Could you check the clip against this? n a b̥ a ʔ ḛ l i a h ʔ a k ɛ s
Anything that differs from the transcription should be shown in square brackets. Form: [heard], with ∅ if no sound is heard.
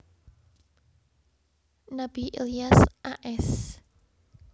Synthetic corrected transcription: n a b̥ [i] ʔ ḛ l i a [s] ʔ a [ʔ] ɛ s

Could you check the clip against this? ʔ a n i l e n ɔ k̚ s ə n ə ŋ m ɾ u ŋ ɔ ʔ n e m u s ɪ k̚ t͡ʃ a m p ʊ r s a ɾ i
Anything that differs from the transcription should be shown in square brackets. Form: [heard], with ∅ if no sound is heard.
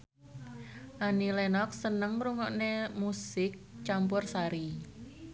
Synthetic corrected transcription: ʔ a n i l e n ɔ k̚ s ə n ə ŋ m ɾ u ŋ ɔ ʔ n e m u s ɪ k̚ t͡ʃ a m p ʊ r s a ɾ i

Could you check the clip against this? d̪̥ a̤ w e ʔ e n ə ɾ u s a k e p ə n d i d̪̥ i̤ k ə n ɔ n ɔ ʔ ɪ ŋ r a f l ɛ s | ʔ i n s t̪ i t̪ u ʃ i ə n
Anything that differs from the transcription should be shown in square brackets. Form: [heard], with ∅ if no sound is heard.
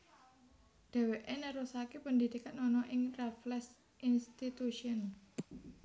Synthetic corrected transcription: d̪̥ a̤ w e ʔ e n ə ɾ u s a k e p ə n d i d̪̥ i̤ k [a] n ɔ n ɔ ʔ ɪ ŋ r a f l ɛ s | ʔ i n s t̪ i t̪ u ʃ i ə n

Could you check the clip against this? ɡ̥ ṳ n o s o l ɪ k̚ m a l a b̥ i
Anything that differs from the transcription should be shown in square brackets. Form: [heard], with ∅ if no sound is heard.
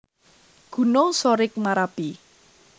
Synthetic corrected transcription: ɡ̥ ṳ n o s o [ɾ] ɪ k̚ m a [ɾ] a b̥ i

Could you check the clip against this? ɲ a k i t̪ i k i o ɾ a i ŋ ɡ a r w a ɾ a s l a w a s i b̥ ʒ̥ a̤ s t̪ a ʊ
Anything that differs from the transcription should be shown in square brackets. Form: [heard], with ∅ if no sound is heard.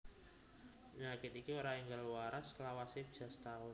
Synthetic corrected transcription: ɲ a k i t̪ i k i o ɾ a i ŋ ɡ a [l] w a ɾ a s l a w a s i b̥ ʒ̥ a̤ s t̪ a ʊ

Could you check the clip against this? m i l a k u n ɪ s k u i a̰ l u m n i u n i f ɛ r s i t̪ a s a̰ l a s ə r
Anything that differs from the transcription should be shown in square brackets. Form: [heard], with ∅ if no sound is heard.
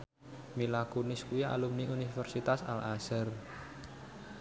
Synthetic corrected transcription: m i l a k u n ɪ s k u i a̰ l u m n i u n i f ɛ r s i t̪ a s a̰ l a s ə r

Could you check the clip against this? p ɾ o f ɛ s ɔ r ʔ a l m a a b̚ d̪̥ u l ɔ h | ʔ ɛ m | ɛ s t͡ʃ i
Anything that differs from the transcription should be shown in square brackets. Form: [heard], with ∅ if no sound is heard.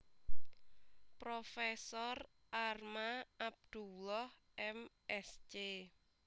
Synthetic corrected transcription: p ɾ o f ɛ s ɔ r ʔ a [r] m a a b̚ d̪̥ u l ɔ h | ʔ ɛ m | ɛ s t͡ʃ [e]

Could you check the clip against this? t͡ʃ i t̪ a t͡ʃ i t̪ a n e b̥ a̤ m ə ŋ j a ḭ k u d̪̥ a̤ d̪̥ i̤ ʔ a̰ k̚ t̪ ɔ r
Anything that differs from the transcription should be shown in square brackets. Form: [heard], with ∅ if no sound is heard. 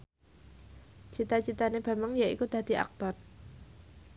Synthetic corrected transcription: t͡ʃ i t̪ a t͡ʃ i t̪ a n e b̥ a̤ m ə ŋ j a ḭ k u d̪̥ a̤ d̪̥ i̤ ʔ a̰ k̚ t̪ ɔ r

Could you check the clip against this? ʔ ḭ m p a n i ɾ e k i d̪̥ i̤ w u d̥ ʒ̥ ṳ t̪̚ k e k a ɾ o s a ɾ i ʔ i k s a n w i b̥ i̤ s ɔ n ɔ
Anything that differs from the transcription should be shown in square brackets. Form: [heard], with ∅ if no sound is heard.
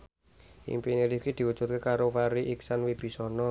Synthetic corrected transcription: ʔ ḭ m p [i] n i ɾ [i] k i d̪̥ i̤ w u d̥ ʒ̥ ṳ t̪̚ k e k a ɾ o [f] a ɾ i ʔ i k s a n w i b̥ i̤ s ɔ n ɔ

